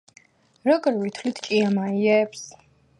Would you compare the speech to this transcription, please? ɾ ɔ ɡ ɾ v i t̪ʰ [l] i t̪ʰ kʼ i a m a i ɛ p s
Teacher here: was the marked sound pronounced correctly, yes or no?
yes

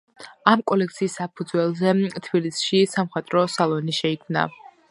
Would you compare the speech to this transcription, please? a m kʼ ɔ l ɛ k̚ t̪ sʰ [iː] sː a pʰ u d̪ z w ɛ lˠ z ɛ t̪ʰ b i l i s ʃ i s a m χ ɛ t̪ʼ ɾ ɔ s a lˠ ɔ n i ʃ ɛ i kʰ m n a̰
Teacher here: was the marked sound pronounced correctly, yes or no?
yes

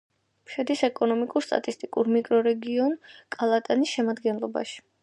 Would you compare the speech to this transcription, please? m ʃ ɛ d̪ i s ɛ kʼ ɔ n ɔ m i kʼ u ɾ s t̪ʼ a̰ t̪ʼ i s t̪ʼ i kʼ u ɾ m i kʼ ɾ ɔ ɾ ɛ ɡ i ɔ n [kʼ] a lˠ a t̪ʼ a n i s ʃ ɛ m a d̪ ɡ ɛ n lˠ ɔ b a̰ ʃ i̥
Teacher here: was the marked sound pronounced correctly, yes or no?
yes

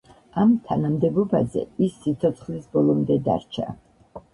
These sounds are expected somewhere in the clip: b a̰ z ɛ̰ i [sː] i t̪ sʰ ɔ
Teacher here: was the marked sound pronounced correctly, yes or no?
yes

